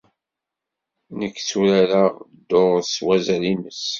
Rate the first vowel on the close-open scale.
mid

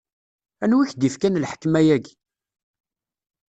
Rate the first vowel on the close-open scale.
open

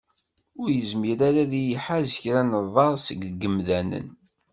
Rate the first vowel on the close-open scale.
close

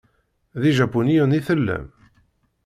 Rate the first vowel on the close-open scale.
close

